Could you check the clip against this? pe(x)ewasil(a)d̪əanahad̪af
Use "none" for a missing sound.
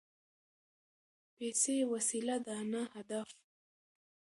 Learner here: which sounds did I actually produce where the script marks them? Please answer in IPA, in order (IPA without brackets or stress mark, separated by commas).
s, a